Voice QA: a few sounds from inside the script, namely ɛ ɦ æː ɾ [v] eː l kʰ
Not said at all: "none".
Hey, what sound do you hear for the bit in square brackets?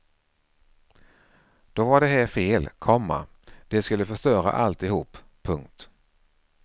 f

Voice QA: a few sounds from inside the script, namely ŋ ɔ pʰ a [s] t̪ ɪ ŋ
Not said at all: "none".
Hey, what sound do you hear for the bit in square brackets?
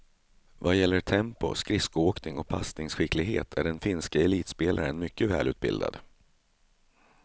s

